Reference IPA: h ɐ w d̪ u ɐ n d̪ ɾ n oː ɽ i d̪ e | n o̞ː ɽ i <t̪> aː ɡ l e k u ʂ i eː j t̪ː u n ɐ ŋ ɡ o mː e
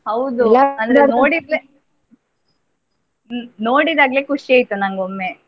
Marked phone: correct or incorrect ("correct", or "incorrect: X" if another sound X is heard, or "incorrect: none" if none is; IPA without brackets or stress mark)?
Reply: incorrect: d̪